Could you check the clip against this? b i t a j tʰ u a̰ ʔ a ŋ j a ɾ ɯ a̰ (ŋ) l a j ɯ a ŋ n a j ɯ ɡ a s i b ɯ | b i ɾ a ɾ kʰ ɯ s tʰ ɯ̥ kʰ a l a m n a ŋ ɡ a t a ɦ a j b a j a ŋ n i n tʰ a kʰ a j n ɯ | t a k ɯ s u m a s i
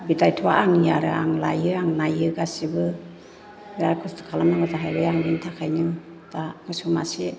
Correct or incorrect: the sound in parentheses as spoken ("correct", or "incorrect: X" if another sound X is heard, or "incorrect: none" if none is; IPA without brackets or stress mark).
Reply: correct